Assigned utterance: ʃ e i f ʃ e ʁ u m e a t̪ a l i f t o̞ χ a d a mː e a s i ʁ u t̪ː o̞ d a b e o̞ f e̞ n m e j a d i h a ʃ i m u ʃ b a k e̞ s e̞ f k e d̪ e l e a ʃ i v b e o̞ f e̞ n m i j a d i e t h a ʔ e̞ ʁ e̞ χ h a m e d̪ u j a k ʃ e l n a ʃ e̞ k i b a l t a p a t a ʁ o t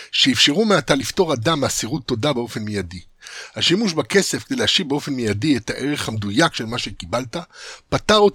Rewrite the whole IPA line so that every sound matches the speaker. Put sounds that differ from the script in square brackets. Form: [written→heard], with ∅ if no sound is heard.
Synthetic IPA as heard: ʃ e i f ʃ e ʁ u m e a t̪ a l i f t o̞ [χ→ʁ] a d a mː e a s i ʁ u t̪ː o̞ d a b e o̞ f e̞ n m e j a d i h a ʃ i m u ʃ b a k e̞ s e̞ f k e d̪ e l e a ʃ i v b e o̞ f e̞ n m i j a d i e t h a ʔ e̞ ʁ e̞ χ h a m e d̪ u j a k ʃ e l [n→m] a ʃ e̞ k i b a l t a p a t a ʁ o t